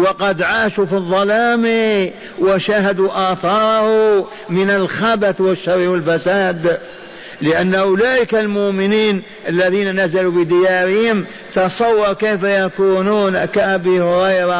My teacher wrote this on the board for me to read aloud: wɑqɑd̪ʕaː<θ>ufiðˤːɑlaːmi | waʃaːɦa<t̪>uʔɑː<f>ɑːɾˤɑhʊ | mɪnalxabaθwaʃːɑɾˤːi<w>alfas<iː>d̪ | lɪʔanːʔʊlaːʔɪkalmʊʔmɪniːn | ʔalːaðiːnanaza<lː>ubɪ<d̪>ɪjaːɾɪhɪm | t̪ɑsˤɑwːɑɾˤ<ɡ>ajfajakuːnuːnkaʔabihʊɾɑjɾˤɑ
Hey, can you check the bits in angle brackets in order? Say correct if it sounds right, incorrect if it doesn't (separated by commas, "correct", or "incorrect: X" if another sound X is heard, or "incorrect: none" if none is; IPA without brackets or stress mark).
incorrect: ʃ, incorrect: d̪, incorrect: θ, correct, incorrect: aː, incorrect: l, correct, incorrect: k